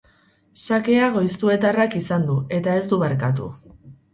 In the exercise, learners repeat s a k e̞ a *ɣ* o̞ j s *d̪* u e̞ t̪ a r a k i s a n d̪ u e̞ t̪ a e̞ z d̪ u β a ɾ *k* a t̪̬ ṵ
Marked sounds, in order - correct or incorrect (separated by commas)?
correct, incorrect, correct